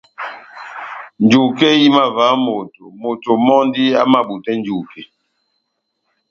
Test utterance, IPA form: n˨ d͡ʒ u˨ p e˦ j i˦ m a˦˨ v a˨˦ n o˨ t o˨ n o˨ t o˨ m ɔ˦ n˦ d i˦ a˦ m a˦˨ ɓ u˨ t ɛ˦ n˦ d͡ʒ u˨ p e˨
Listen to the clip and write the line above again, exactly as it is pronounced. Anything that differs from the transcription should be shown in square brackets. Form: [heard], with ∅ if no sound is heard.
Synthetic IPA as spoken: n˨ d͡ʒ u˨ [k] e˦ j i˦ m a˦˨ v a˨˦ [m] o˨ t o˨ [m] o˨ t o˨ m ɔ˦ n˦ d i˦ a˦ m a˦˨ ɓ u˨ t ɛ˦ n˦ d͡ʒ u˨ [k] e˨